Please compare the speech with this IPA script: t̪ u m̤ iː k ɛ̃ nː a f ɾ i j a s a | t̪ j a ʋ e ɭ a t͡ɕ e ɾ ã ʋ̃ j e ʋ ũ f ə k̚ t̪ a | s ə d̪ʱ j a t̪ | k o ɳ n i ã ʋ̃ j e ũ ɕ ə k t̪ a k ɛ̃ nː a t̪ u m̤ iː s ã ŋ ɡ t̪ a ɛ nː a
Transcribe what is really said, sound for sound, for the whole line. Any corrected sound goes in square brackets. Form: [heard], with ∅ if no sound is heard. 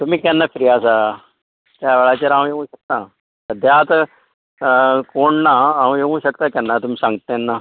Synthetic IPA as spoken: t̪ u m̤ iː k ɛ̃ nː a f ɾ i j a s a | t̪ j a ʋ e ɭ a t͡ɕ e ɾ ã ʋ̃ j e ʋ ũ [ɕ] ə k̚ t̪ a | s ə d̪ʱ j a t̪ | k o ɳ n [a] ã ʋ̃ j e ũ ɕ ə k t̪ a k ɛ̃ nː a t̪ u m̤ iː s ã ŋ ɡ t̪ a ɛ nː a